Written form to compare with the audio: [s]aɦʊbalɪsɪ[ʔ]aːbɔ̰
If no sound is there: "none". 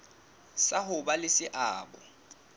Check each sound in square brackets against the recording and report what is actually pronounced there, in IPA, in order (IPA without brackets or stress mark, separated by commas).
s, ʔ